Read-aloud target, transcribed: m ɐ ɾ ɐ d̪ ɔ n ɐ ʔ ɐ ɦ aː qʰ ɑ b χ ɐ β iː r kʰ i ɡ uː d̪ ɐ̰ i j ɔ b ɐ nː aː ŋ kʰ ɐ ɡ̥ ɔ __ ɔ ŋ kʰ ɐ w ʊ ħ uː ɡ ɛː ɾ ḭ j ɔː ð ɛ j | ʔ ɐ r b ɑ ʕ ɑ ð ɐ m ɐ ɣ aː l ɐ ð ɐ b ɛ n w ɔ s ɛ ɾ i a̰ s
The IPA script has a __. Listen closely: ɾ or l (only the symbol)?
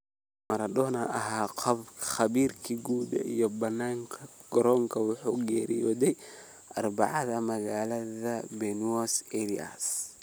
ɾ